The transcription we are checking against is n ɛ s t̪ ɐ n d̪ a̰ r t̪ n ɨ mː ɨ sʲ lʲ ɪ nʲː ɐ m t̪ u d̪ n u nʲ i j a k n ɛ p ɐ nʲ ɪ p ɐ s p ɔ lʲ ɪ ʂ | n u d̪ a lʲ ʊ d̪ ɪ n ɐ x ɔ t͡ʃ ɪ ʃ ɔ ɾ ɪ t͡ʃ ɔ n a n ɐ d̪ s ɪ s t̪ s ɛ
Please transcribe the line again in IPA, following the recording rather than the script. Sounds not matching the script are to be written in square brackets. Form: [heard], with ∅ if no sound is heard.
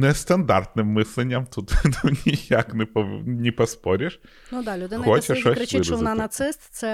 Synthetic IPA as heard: n ɛ s t̪ ɐ n d̪ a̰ r t̪ n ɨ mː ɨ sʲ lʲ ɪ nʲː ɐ m t̪ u [t̪] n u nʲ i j a k n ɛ p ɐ nʲ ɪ p ɐ s p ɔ [ɾʲ] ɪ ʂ | n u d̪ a lʲ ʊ d̪ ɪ n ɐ x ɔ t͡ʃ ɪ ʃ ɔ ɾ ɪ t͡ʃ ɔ n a n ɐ [t̪] s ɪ s t̪ s ɛ